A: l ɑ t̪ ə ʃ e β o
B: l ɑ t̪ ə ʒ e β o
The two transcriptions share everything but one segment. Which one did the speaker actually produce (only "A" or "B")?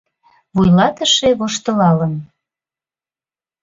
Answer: A